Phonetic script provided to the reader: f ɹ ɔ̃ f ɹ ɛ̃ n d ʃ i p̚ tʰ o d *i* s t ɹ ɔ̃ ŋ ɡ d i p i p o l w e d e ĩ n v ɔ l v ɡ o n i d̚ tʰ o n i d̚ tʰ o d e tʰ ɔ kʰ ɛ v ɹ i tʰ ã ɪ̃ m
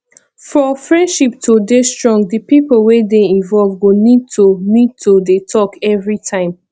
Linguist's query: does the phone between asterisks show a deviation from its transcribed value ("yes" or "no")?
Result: yes